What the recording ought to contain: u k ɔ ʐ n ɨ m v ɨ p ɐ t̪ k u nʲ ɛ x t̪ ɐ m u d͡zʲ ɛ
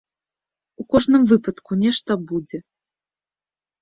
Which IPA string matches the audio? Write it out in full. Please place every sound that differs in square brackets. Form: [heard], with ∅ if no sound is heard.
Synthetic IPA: u k ɔ ʐ n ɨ m v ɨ p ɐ t̪ k u nʲ ɛ [ʂ] t̪ ɐ [b] u d͡zʲ ɛ

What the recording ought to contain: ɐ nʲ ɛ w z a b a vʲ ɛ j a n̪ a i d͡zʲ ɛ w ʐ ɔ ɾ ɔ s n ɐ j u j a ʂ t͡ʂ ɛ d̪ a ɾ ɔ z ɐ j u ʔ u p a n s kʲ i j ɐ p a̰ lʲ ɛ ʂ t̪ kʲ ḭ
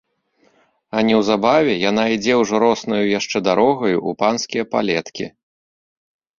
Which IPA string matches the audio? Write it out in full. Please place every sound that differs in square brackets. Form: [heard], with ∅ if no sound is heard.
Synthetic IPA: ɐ nʲ ɛ w z a b a vʲ ɛ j a n̪ a i d͡zʲ ɛ w ʐ ɔ ɾ ɔ s n ɐ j u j a ʂ t͡ʂ ɛ d̪ a ɾ ɔ [ɣ] ɐ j u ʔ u p a n s kʲ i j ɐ p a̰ lʲ ɛ [∅] t̪ kʲ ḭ

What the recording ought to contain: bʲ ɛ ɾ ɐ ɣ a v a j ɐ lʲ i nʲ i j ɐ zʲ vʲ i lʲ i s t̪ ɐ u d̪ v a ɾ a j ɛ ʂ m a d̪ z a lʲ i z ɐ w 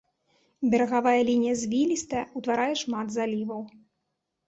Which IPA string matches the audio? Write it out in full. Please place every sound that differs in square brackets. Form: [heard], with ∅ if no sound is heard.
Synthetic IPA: bʲ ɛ ɾ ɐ ɣ a v a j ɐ lʲ i nʲ i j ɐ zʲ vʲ i lʲ i s t̪ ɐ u [t̪] v a ɾ a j ɛ ʂ m a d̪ z a lʲ i [v] ɐ w

